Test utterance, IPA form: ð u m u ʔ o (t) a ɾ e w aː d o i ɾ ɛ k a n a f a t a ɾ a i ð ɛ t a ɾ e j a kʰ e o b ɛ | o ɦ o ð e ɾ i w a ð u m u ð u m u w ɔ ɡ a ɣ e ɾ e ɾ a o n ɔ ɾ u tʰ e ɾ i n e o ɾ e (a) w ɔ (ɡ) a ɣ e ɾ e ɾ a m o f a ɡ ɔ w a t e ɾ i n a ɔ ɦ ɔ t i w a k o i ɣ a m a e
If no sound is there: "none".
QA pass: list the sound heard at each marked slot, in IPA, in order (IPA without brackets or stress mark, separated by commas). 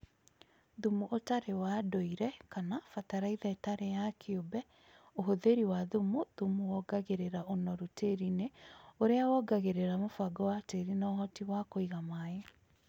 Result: t, a, ɡ